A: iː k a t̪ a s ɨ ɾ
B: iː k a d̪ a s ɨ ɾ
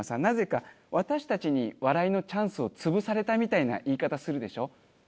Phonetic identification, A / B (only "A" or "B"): A